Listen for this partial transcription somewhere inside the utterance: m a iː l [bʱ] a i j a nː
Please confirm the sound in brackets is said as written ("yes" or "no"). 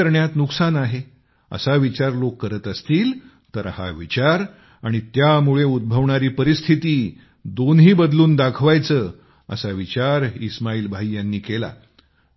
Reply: yes